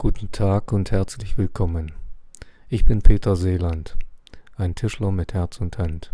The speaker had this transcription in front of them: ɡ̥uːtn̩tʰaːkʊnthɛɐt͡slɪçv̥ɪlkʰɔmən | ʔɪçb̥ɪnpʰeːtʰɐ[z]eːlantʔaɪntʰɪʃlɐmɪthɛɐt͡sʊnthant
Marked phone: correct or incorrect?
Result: correct